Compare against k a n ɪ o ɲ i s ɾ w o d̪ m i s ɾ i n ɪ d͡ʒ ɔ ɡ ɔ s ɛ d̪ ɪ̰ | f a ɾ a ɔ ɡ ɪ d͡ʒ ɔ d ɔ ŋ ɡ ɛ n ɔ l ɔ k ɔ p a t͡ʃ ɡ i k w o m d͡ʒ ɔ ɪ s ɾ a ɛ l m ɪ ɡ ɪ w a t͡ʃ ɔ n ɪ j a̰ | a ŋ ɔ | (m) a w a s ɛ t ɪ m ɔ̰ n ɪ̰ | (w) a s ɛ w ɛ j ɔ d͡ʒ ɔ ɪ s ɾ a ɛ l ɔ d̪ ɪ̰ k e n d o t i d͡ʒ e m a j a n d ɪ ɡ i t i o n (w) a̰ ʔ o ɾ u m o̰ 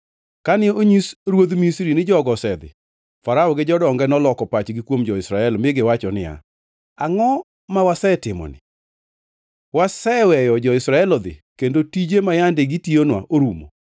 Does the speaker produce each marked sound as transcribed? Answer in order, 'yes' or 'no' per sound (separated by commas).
yes, yes, yes